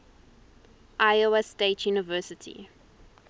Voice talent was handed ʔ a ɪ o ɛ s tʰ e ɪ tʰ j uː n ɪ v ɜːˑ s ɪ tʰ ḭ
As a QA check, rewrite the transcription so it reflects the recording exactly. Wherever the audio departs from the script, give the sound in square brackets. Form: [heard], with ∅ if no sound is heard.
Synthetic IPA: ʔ a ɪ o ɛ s [t] e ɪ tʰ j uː n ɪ v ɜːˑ s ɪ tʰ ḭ

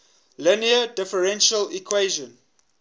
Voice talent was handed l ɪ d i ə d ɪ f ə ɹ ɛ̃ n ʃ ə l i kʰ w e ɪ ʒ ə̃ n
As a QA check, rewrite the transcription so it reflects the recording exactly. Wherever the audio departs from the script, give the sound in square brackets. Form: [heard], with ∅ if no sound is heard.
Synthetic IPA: l ɪ [n] i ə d ɪ f ə ɹ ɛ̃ n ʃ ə l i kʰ w e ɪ ʒ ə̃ n

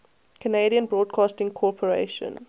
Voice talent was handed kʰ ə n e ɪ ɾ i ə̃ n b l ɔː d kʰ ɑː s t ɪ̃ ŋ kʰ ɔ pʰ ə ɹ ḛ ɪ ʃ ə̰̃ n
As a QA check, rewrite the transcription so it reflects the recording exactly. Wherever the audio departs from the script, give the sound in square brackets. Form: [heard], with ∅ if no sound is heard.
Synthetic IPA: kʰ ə n e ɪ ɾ i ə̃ n b [ɹ] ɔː d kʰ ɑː s t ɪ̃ ŋ kʰ ɔ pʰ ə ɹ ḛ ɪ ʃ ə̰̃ n

